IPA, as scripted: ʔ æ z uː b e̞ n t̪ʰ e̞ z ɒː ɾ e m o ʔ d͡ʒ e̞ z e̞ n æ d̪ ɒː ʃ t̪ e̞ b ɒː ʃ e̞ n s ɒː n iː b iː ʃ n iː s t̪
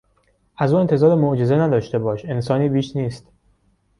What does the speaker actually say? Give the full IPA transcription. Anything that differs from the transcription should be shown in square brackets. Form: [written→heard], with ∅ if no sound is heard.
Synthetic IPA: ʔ æ z uː [b→∅] e̞ n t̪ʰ e̞ z ɒː ɾ e m o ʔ d͡ʒ e̞ z e̞ n æ d̪ ɒː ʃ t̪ e̞ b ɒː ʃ e̞ n s ɒː n iː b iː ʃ n iː s t̪